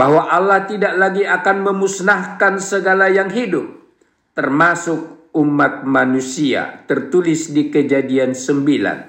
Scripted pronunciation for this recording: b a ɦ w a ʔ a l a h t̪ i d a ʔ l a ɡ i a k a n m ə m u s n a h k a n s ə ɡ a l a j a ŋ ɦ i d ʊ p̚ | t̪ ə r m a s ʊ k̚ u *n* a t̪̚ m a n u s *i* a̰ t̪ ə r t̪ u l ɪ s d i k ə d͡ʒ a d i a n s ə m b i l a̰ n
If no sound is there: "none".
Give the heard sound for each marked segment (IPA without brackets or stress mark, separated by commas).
m, i